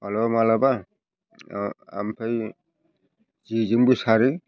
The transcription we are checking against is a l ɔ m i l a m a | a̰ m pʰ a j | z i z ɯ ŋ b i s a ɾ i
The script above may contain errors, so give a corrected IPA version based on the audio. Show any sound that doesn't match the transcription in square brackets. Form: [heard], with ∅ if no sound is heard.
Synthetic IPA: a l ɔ m [a] l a [b] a | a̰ m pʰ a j | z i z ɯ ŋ b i s a ɾ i